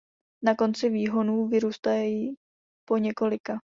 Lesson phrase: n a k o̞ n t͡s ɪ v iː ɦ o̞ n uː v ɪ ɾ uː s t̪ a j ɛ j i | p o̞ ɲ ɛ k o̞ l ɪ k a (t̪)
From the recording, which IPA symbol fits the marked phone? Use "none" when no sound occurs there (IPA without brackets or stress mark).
none